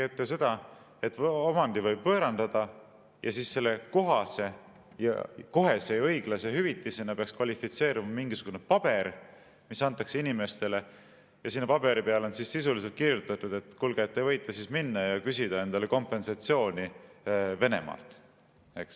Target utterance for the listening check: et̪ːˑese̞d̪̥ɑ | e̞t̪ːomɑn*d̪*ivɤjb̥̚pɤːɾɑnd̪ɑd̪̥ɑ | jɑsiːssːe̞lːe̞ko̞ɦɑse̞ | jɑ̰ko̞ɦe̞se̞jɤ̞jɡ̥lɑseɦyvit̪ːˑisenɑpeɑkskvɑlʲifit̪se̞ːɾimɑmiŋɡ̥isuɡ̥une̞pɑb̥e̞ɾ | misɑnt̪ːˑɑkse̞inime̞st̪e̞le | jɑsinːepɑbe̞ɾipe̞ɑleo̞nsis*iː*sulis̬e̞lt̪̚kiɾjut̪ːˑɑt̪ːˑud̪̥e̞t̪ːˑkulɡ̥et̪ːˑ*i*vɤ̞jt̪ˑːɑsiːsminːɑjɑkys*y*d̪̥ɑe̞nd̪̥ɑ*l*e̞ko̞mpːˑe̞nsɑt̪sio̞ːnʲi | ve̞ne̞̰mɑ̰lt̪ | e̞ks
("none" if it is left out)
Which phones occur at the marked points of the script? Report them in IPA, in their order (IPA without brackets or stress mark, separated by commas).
d̪, i, e, i, l